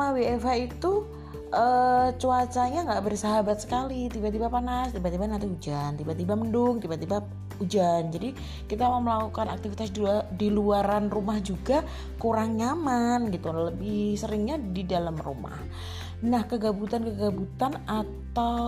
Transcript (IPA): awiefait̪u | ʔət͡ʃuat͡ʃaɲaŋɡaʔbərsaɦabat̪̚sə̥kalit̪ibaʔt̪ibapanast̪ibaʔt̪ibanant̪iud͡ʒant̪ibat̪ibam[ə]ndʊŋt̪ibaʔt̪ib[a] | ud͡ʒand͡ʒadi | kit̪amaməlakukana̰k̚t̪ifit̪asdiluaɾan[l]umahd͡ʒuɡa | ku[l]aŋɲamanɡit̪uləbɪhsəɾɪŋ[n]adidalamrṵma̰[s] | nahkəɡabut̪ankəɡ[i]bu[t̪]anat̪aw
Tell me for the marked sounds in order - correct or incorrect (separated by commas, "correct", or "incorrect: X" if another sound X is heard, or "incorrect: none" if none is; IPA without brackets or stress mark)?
correct, correct, incorrect: r, incorrect: ɾ, incorrect: ɲ, incorrect: h, incorrect: a, correct